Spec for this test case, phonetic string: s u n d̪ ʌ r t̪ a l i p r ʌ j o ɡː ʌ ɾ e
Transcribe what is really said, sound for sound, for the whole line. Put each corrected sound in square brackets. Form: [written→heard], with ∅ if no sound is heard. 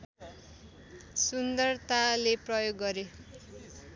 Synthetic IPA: s u n d̪ ʌ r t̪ a l [i→e] p r ʌ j o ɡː ʌ ɾ e